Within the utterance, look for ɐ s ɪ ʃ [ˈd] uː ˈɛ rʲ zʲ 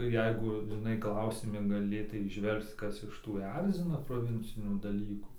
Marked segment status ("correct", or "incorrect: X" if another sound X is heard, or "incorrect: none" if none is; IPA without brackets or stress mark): incorrect: t